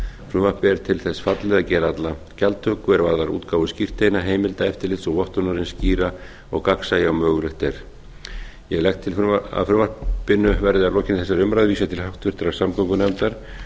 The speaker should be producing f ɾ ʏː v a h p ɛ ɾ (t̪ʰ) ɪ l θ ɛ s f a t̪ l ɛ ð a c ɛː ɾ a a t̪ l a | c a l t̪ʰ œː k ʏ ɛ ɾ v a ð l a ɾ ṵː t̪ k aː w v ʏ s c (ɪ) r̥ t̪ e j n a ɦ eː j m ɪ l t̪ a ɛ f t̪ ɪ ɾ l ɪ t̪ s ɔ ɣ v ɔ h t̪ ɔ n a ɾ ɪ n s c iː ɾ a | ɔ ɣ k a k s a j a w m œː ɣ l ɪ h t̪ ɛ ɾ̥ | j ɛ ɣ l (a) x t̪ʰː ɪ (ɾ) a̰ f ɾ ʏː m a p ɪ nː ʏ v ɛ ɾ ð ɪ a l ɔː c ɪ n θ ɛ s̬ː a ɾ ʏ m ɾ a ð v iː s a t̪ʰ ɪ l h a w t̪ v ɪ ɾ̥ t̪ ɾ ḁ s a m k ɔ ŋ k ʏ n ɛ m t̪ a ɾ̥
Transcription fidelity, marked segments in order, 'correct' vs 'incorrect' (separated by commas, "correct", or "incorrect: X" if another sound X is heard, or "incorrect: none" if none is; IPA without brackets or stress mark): correct, incorrect: i, incorrect: ɛ, incorrect: l